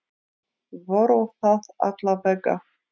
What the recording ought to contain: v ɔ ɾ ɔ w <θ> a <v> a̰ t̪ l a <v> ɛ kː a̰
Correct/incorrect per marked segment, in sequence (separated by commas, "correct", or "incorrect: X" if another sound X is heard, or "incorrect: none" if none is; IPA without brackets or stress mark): correct, incorrect: ð, correct